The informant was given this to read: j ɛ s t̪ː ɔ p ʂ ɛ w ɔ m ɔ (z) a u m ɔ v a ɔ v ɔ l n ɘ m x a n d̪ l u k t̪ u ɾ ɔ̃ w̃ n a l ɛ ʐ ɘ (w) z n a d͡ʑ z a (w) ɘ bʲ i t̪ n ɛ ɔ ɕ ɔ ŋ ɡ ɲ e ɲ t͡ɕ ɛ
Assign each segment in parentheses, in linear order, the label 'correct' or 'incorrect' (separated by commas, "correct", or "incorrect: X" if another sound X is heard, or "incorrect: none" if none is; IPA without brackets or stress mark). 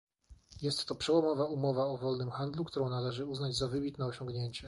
incorrect: v, incorrect: u, incorrect: v